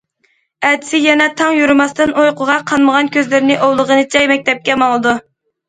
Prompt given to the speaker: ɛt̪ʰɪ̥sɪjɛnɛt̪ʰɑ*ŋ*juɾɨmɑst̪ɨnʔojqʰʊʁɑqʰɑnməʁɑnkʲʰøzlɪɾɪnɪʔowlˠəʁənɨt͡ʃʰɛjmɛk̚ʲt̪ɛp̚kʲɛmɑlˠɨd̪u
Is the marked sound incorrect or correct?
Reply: correct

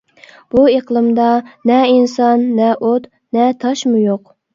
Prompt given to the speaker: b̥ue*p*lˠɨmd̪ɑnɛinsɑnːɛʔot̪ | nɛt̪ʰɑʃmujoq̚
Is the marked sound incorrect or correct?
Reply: incorrect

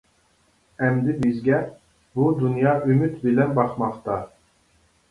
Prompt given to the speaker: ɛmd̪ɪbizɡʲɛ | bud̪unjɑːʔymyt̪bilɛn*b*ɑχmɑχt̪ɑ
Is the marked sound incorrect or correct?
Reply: correct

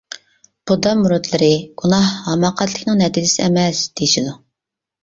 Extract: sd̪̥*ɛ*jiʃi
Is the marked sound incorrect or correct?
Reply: incorrect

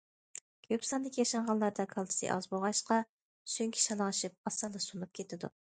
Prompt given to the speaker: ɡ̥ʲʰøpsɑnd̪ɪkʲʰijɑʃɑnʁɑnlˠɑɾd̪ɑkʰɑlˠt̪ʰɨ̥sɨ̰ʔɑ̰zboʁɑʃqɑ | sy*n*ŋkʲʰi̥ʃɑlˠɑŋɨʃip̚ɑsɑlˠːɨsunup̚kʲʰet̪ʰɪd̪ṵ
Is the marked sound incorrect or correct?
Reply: incorrect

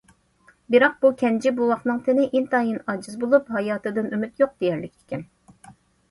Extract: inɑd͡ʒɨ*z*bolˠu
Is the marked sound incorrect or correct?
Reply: correct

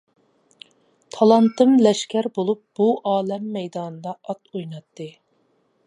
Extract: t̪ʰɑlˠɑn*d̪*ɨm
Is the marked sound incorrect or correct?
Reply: incorrect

